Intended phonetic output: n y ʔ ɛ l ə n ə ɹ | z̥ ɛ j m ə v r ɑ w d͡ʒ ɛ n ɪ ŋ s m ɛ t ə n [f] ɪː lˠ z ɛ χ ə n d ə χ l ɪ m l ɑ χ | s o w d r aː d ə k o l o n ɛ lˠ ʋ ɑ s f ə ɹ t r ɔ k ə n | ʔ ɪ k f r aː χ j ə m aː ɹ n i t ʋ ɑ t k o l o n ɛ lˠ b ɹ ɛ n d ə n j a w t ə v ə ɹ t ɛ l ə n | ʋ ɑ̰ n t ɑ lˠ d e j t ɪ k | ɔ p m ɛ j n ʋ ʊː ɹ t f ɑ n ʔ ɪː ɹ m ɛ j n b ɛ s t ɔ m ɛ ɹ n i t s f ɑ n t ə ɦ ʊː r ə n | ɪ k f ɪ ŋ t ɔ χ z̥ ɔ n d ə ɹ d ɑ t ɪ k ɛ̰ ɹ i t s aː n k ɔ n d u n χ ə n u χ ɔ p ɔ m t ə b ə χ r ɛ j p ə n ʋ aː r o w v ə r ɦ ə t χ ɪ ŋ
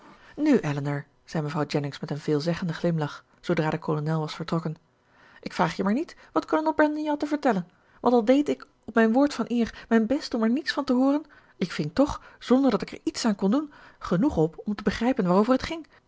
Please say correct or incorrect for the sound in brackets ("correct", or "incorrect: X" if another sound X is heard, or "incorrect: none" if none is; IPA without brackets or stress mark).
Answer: incorrect: v